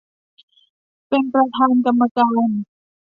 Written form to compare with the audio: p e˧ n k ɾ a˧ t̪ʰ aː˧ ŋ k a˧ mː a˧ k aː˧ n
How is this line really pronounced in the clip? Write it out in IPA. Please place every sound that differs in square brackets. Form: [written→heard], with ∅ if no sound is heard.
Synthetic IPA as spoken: p e˧ n [k→p] ɾ a˧ t̪ʰ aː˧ [ŋ→n] k a˧ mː a˧ k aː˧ n